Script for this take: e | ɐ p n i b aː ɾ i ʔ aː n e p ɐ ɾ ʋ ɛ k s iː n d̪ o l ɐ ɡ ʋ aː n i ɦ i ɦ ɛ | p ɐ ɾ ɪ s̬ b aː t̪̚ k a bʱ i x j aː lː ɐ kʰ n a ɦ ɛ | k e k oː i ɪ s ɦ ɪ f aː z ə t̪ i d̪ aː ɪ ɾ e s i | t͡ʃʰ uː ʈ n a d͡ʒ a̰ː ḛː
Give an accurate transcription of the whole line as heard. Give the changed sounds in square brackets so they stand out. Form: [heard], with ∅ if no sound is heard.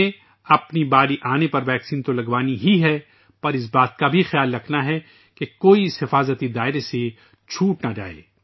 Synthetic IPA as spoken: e | ɐ p n i b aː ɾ i ʔ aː n e p ɐ ɾ ʋ [ɛː] k s iː n [t̪] o l ɐ ɡ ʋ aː n i ɦ i ɦ ɛ | p ɐ ɾ ɪ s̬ b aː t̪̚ k a bʱ i x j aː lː ɐ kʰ n a ɦ ɛ | k e k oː i ɪ s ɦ ɪ f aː z ə t̪ i d̪ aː ɪ ɾ e s [e] | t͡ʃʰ uː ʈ n a d͡ʒ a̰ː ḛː

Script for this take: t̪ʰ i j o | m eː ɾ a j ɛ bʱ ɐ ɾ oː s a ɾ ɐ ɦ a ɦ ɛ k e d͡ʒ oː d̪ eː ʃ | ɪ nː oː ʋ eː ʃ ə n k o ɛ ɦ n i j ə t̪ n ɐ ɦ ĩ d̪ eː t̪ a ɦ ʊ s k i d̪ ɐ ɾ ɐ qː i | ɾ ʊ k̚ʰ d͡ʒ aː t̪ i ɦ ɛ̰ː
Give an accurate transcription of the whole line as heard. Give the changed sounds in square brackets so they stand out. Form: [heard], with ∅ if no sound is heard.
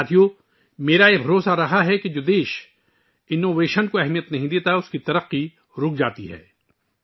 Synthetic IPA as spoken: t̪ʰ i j o | m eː ɾ a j [e] bʱ ɐ ɾ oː s a ɾ ɐ ɦ a ɦ ɛ k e d͡ʒ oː d̪ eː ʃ | ɪ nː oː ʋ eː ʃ ə n k o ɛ ɦ [m] i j ə t̪ n ɐ ɦ ĩ d̪ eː t̪ a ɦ ʊ s k i [t̪] ɐ ɾ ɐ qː i | ɾ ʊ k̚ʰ d͡ʒ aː t̪ i ɦ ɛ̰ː

